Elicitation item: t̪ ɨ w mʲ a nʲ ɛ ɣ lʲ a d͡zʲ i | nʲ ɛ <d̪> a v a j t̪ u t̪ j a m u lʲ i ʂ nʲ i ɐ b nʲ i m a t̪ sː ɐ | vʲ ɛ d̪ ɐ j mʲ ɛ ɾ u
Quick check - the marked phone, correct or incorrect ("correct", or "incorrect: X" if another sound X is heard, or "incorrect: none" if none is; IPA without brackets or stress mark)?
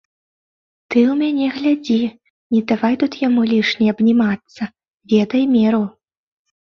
correct